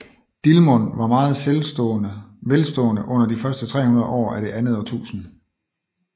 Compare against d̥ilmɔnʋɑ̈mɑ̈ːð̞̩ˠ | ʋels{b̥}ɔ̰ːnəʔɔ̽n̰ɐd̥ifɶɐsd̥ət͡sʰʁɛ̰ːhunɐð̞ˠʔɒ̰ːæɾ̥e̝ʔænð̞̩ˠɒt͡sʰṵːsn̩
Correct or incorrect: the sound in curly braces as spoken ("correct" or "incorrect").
incorrect